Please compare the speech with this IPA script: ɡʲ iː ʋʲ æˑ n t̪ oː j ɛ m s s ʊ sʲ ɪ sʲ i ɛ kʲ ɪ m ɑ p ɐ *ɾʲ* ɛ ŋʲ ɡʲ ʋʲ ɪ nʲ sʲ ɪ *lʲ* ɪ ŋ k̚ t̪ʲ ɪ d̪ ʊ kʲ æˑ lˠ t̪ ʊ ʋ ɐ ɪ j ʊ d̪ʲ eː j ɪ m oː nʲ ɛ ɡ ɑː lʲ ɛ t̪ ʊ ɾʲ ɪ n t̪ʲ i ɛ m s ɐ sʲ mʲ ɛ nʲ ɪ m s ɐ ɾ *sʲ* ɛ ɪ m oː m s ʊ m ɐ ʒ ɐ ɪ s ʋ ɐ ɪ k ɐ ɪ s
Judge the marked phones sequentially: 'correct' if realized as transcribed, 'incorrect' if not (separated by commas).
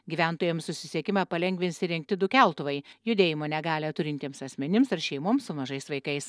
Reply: incorrect, incorrect, incorrect